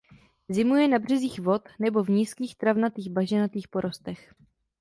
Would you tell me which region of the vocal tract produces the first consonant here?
tongue tip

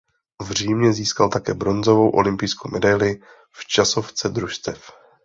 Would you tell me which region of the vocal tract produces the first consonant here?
lips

